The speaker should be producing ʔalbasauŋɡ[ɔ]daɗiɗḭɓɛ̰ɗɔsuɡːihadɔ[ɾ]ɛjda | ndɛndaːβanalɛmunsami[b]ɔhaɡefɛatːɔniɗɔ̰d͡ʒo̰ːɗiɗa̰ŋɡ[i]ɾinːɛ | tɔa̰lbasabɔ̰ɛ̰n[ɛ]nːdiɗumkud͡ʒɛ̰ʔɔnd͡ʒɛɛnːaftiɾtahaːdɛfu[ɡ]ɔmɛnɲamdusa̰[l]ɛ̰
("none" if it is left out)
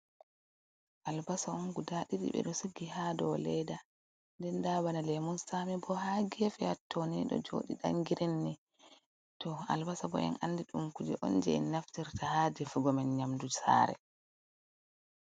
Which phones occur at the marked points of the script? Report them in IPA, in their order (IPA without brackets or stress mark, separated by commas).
u, l, b, i, a, ɡ, ɾ